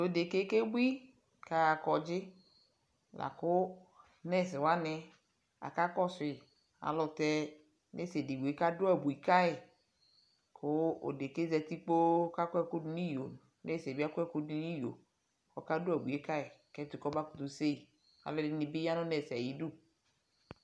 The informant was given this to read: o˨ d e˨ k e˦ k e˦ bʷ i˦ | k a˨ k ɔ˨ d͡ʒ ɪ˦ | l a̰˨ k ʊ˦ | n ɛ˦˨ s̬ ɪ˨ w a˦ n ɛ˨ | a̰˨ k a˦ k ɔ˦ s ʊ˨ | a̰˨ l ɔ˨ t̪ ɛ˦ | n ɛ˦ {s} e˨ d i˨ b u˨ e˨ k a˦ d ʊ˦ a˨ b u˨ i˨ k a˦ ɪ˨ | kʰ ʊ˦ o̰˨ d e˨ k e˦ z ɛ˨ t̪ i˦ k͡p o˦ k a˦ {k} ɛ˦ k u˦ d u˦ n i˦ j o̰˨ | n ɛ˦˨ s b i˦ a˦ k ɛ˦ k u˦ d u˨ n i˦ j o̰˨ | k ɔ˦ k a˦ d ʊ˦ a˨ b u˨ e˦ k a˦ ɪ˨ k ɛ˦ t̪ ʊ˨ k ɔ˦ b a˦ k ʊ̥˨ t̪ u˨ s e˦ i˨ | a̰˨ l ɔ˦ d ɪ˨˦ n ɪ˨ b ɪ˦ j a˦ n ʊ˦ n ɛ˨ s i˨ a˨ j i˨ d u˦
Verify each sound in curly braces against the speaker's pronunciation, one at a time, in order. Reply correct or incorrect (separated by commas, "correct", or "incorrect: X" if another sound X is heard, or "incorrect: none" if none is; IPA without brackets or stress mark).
correct, correct